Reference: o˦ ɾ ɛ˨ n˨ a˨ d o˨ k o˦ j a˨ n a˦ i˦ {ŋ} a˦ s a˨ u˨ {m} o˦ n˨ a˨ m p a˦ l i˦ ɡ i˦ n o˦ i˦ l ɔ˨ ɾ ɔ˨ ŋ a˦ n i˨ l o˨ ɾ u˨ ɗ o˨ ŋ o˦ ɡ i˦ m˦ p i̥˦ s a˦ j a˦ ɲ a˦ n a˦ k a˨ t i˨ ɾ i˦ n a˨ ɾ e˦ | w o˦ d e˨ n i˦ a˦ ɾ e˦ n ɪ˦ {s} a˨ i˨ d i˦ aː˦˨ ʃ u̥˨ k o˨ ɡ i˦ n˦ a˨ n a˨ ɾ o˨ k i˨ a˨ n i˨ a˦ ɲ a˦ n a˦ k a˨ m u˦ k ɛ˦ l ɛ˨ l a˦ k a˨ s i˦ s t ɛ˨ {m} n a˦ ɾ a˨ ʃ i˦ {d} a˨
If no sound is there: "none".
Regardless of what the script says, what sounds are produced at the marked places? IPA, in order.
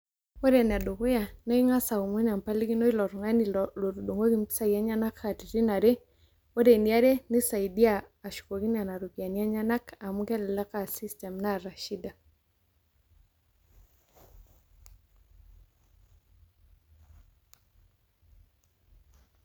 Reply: ŋ, m, s, m, d

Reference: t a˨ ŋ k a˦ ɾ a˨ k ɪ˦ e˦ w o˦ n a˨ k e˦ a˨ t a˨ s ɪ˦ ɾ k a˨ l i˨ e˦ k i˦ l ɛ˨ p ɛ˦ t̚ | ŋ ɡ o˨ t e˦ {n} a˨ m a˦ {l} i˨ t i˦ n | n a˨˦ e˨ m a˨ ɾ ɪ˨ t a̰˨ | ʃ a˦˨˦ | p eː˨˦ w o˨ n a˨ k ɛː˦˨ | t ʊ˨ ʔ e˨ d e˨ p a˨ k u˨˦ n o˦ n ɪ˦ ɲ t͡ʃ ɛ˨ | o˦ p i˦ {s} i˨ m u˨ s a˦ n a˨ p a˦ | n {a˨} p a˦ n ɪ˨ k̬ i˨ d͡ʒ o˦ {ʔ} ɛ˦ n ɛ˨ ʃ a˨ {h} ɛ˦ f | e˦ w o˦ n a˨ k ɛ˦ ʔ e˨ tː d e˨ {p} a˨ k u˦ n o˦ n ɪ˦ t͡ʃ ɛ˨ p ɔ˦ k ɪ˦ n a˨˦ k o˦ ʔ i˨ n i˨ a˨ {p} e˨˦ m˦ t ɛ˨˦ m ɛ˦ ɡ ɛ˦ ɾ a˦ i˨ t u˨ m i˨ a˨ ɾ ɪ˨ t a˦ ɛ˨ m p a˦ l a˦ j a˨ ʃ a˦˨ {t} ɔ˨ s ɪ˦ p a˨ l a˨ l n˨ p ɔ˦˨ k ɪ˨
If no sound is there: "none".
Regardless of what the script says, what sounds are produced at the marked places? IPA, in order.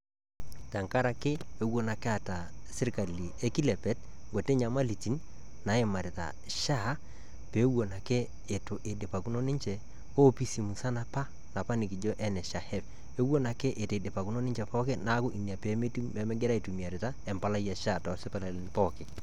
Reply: ɲ, l, s, a˨, ʔ, h, p, p, t

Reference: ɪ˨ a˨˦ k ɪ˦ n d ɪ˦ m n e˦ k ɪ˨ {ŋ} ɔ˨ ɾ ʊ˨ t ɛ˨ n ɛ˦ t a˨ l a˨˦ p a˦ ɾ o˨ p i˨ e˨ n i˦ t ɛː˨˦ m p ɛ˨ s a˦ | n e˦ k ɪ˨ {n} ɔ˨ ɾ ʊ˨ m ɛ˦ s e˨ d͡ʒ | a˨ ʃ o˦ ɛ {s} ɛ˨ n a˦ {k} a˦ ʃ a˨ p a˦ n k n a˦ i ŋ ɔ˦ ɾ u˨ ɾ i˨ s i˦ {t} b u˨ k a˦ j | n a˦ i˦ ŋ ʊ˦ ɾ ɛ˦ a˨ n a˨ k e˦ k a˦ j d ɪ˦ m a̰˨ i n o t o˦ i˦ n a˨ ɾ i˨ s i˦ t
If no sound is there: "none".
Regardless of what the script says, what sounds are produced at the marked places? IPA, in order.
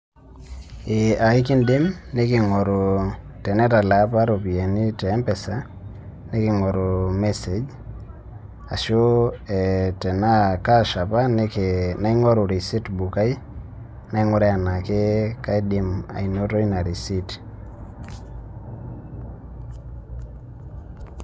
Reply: ŋ, ŋ, t, k, t

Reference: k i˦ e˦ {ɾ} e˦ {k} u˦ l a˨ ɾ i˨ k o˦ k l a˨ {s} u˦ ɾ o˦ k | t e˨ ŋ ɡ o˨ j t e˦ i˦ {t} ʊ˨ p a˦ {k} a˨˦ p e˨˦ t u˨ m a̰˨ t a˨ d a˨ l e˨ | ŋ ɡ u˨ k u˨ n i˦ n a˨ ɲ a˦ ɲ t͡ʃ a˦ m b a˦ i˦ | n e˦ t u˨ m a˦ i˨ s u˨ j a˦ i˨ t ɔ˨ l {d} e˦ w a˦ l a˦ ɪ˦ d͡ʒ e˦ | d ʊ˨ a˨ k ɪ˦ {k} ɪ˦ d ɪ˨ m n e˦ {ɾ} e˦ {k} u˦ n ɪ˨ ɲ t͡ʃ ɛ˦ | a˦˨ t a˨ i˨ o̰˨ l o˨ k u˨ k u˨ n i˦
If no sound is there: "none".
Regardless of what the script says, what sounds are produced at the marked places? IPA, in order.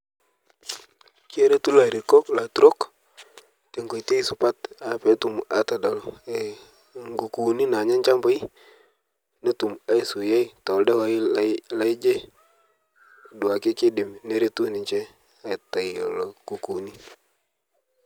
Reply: ɾ, t, t, s, t, d, k, ɾ, t

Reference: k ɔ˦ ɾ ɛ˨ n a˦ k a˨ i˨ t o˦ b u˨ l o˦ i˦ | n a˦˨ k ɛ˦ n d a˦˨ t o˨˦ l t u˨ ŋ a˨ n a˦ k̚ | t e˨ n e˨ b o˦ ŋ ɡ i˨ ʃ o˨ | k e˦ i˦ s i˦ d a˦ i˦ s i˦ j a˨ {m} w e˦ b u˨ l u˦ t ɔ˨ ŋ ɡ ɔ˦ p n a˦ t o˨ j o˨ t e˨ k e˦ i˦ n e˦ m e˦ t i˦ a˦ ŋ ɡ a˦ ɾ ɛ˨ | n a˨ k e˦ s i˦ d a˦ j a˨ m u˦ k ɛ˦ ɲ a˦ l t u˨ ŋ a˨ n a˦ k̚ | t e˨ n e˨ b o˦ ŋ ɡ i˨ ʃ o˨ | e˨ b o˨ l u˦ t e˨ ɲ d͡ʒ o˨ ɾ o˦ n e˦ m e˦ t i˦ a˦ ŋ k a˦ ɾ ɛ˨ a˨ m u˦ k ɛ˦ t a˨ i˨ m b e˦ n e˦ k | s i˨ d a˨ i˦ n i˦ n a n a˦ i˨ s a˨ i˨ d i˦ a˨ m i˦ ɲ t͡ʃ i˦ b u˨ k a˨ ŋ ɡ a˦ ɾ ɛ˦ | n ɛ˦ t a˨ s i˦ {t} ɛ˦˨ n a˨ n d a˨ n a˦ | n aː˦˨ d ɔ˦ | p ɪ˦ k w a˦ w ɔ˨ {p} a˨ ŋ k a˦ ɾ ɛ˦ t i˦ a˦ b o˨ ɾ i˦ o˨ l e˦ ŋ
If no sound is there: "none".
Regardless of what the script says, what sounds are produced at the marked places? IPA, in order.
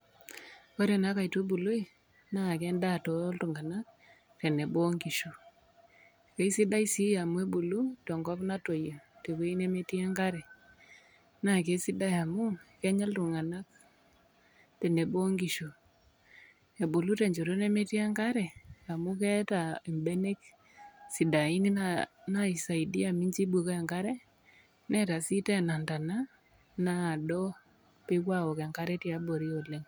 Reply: m, t, k

